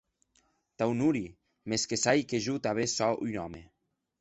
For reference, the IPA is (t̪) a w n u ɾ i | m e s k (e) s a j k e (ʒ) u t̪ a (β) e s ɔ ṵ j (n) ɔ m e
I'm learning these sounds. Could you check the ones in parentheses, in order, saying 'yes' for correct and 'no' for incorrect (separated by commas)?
yes, yes, yes, yes, yes